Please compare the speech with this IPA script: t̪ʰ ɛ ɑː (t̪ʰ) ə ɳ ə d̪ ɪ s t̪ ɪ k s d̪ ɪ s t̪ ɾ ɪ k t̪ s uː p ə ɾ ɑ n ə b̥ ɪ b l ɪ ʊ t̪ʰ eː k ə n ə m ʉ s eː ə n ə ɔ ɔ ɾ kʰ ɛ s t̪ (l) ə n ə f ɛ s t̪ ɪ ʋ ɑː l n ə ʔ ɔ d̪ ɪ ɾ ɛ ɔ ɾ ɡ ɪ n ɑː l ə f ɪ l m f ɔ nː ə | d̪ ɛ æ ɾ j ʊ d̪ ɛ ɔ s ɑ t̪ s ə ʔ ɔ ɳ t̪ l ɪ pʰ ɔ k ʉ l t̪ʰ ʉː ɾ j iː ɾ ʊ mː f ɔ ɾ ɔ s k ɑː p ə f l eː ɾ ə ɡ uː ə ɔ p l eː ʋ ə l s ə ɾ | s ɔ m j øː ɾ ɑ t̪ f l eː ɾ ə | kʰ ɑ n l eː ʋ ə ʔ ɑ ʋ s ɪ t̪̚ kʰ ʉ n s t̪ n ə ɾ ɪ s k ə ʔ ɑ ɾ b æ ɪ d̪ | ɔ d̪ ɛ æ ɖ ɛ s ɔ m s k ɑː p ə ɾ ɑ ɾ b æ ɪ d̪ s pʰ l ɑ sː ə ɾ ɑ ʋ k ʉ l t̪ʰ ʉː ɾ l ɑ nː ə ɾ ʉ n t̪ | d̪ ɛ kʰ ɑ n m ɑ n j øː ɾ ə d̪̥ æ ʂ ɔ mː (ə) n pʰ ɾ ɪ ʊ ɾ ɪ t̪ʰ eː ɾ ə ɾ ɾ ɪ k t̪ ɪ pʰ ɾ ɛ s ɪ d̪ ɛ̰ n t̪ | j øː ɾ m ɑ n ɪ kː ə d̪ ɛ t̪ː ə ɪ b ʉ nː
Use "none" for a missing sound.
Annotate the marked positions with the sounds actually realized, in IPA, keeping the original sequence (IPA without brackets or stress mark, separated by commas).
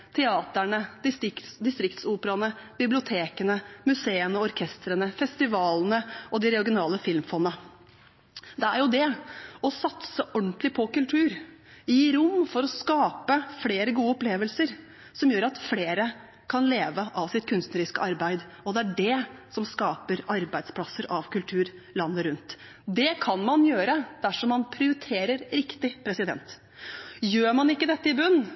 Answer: t̪, ɾ, ɑ